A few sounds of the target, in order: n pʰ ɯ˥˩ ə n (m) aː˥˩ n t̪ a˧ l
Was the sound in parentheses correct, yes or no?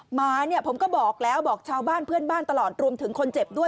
no